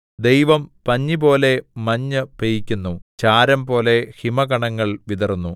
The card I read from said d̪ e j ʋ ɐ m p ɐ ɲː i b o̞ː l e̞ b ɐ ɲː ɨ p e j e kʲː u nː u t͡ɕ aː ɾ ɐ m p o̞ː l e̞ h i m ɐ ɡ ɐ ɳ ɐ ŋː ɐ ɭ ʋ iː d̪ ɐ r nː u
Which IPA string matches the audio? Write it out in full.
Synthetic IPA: d̪ e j ʋ ɐ m p ɐ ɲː i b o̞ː l e̞ m ɐ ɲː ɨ p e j i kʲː u nː u t͡ɕ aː ɾ ɐ m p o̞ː l e̞ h i m ɐ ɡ ɐ ɳ ɐ ŋː ɐ ɭ ʋ i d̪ ɐ r nː u